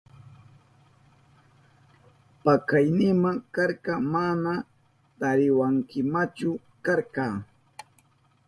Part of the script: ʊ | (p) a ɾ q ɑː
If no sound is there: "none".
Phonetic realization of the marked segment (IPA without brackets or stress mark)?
k